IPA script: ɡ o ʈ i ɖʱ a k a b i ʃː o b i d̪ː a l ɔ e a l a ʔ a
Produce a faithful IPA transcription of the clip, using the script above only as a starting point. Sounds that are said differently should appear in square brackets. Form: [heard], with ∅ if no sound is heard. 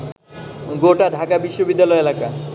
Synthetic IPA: ɡ o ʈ [a] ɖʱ a k a b i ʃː o b i d̪ː a l ɔ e [e] l a [k] a